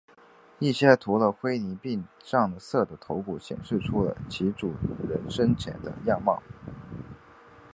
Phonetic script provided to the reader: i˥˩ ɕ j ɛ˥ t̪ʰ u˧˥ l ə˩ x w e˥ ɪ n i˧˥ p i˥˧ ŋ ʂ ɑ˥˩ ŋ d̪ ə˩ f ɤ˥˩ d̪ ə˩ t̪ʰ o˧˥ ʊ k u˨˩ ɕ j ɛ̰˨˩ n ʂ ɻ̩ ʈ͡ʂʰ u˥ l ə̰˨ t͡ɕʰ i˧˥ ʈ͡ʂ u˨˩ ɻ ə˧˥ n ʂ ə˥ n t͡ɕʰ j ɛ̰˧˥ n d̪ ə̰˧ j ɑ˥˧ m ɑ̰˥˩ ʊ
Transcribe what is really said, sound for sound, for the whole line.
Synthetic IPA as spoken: i˥˩ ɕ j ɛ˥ t̪ʰ u˧˥ l ə˧ x w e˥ ɪ n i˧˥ p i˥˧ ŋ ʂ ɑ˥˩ ŋ d̪ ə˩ s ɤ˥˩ d̪ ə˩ t̪ʰ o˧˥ ʊ k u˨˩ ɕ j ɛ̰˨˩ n ʂ ɻ̩ ʈ͡ʂʰ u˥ l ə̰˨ t͡ɕʰ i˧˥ ʈ͡ʂ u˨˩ ɻ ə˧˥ n ʂ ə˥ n t͡ɕʰ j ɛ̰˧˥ n d̪ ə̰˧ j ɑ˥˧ m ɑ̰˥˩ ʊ